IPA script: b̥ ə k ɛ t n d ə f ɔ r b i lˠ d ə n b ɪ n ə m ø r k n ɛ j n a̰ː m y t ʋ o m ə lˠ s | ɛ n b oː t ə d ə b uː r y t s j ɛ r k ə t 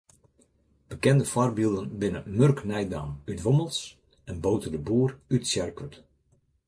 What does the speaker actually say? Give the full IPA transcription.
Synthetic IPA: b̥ ə k ɛ n d ə f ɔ r b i lˠ d ə n b ɪ n ə m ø r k n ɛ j d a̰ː m y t ʋ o m ə lˠ s | ɛ n b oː t ə d ə b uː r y t s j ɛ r k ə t